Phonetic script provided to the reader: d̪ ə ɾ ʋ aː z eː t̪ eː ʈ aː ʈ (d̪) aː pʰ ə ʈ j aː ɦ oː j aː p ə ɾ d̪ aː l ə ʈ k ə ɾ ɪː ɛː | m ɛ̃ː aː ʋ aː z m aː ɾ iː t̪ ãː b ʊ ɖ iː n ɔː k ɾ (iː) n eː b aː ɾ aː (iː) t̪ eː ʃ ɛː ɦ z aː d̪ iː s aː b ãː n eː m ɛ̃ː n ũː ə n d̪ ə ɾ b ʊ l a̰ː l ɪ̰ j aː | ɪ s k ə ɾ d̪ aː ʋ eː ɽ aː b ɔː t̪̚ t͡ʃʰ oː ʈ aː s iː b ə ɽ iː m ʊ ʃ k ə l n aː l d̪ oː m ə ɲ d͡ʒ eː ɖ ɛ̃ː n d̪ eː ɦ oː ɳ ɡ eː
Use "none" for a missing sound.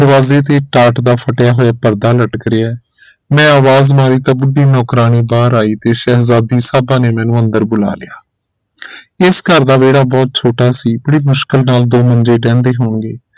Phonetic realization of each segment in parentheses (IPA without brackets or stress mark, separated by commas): d̪, aː, iː